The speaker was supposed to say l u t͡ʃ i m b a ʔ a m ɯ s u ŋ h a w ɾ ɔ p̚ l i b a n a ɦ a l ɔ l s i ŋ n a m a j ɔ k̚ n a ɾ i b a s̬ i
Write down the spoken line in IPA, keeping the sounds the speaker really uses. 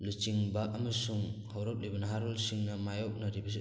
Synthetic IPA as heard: l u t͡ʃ i ŋ b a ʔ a m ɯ s u ŋ h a w ɾ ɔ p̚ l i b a n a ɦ a ɾ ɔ l s i ŋ n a m a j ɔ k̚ n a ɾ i b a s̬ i